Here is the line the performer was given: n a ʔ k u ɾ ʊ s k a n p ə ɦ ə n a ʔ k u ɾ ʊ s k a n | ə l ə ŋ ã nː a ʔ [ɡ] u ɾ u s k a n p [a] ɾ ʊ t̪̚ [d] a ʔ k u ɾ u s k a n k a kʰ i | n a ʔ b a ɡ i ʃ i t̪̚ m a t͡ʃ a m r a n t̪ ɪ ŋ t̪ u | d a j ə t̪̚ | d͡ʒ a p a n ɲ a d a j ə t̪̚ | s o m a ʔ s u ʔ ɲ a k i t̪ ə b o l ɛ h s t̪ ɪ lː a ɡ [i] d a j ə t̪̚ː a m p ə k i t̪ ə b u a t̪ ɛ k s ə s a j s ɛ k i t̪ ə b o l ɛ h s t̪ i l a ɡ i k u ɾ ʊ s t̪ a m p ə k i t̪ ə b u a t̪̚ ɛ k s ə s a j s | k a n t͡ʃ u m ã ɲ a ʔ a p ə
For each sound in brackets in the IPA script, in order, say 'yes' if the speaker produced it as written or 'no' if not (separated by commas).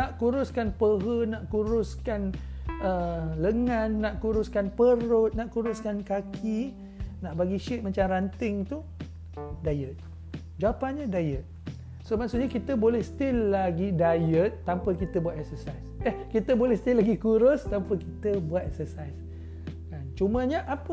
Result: no, no, no, yes